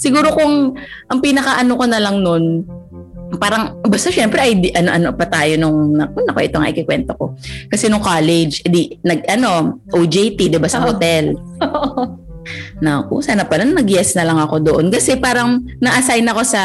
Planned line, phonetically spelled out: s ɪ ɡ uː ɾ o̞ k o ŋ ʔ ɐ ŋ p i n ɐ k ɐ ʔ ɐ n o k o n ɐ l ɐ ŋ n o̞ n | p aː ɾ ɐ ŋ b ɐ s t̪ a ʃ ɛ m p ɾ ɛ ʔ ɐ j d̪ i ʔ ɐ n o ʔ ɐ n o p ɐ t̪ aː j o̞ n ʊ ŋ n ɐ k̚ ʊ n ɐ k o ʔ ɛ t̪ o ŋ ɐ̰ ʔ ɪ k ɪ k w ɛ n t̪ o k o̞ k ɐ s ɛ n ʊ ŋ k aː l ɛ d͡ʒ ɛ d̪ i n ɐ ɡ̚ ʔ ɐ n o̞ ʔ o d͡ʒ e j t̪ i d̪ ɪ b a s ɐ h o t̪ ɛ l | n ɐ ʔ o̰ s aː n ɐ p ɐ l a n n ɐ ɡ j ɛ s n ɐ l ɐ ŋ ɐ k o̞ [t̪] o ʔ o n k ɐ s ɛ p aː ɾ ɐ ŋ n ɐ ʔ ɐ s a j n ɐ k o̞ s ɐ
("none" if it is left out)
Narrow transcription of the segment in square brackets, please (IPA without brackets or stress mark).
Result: d̪